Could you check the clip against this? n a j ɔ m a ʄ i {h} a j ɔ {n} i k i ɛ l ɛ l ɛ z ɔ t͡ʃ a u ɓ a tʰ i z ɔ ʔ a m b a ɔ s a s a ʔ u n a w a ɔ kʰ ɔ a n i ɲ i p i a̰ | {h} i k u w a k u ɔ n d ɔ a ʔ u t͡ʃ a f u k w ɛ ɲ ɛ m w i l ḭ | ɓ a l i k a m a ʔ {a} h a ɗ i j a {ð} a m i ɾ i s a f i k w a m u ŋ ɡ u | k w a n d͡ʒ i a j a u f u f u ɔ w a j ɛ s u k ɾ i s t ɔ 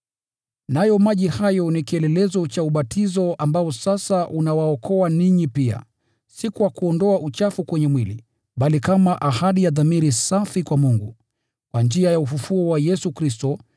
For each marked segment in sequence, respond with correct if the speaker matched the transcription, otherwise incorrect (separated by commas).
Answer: correct, correct, incorrect, correct, correct